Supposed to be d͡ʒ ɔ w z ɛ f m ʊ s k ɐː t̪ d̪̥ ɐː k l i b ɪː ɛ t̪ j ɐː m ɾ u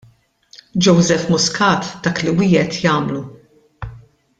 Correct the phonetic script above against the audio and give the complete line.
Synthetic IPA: d͡ʒ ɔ w z ɛ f m ʊ s k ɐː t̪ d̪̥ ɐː k l i w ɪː ɛ t̪ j ɐː m l u